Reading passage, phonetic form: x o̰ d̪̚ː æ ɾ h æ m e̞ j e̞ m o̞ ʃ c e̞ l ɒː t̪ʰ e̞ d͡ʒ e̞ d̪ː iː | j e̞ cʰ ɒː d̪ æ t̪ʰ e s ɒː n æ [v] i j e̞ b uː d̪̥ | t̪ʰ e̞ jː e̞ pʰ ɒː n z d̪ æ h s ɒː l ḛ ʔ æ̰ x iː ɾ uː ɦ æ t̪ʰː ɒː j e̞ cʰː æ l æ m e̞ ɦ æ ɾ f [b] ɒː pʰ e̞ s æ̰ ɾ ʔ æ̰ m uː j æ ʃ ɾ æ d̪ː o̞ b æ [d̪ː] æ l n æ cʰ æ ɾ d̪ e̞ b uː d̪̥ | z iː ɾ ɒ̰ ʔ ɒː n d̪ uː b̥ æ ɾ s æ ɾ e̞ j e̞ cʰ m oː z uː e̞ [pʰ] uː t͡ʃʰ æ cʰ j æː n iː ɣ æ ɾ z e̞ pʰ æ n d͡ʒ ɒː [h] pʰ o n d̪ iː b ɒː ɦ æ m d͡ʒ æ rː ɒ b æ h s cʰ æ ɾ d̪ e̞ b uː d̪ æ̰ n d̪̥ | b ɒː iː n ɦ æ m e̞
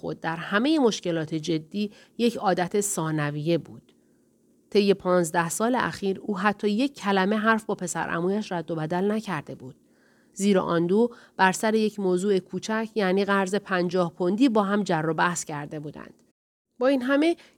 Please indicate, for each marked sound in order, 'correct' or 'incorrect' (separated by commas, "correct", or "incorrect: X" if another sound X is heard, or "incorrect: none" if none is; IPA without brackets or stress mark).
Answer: correct, correct, incorrect: d̪, incorrect: kʰ, correct